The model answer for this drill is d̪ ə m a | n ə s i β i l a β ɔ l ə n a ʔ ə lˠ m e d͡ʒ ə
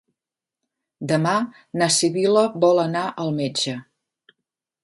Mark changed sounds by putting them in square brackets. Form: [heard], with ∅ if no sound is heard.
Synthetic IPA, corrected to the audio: d̪ ə m a | n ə s i β i l [ə] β ɔ l ə n a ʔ ə lˠ m e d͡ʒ ə